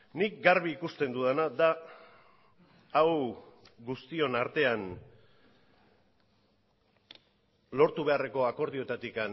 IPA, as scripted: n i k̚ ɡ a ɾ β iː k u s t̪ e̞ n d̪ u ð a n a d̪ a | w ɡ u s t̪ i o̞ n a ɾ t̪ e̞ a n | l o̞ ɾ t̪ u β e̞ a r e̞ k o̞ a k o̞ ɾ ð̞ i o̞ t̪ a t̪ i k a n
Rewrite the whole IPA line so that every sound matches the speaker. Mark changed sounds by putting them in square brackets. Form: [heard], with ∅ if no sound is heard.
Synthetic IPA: n i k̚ ɡ a ɾ β iː k u s t̪ e̞ n d̪ u ð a n a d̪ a | w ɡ u s t̪ i o̞ n a ɾ t̪ e̞ a n | l o̞ ɾ t̪ u β e̞ a r e̞ k o̞ a k o̞ ɾ ð̞ i o̞ t̪ a t̪ i k a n